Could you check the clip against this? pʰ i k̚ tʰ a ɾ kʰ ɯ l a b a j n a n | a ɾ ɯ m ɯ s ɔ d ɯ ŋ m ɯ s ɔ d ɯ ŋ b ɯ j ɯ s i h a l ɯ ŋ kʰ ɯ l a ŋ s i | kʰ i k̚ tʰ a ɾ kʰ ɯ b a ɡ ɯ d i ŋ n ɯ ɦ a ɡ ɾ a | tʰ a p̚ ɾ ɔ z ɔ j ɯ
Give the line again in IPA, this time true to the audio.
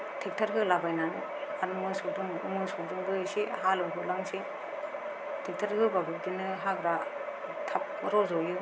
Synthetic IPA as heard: tʰ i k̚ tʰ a ɾ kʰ ɯ l a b a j n a n | a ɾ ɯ m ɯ s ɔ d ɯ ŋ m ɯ s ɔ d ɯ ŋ b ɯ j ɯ s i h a l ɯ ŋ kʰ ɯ l a ŋ s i | tʰ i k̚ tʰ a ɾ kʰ ɯ b a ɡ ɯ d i n ɯ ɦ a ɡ ɾ a | tʰ a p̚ ɾ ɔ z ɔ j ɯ

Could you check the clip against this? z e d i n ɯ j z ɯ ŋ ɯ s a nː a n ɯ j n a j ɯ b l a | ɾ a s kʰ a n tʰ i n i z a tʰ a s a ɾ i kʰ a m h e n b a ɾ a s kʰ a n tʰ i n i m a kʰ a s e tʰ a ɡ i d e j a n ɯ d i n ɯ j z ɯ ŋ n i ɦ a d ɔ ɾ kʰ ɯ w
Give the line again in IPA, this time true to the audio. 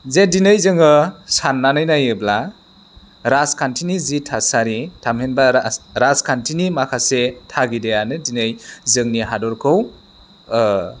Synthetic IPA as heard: z e d i n ɯ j z ɯ ŋ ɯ s a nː a n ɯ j n a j ɯ b l a | ɾ a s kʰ a n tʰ i n i z i tʰ a s a ɾ i tʰ a m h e n b a ɾ a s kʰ a n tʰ i n i m a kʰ a s e tʰ a ɡ i d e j a n ɯ d i n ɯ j z ɯ ŋ n i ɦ a d ɔ ɾ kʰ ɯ w

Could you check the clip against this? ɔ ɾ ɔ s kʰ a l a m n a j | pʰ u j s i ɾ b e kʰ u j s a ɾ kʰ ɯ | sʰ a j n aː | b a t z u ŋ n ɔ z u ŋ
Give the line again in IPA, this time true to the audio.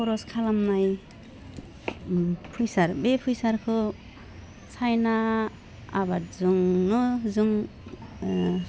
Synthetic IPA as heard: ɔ ɾ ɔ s kʰ a l a m n a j | pʰ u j s a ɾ b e pʰ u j s a ɾ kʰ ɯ | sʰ a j n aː | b a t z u ŋ n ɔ z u ŋ

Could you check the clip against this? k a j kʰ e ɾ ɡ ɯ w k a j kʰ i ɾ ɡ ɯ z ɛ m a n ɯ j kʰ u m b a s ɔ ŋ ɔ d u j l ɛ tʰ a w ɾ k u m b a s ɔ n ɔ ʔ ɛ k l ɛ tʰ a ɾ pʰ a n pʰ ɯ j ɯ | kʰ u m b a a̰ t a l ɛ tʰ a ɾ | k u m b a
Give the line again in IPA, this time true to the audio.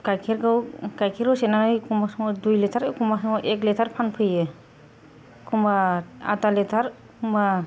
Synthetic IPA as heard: k a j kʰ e ɾ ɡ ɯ w k a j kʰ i ɾ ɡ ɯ s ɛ n a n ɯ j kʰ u m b a s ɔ ŋ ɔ d u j l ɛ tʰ a ɾ k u m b a s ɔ ŋ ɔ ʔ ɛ k l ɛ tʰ a ɾ pʰ a n pʰ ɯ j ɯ | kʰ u m b a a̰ t a l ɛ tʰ a ɾ | k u m b a

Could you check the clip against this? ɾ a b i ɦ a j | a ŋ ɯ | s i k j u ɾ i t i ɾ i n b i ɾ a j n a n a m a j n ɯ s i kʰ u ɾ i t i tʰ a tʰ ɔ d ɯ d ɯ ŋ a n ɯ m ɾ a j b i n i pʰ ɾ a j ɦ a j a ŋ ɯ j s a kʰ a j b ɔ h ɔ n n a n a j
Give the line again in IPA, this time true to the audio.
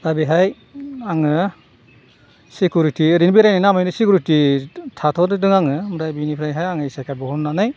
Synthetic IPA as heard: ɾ a b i ɦ a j | a ŋ ɯ | s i k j u ɾ i t i ɾ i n b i ɾ a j n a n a m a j n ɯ s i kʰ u ɾ i t i tʰ a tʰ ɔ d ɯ d ɯ ŋ a ŋ ɯ m ɾ a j b i n i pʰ ɾ a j ɦ a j a ŋ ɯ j s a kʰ a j b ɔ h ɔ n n a n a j

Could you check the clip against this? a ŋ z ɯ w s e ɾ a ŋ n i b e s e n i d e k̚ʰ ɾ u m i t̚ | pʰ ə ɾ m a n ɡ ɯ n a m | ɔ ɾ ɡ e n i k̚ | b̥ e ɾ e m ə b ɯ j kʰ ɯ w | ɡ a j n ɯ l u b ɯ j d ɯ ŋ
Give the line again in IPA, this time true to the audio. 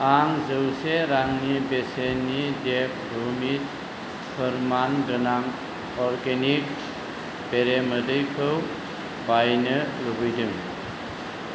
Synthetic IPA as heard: a ŋ z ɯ w s e ɾ a ŋ n i b e s e n i d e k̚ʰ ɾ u m i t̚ | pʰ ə ɾ m a n ɡ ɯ n a ŋ | ɔ ɾ ɡ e n i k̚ | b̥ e ɾ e m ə d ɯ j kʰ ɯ w | b a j n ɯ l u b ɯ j d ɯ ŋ

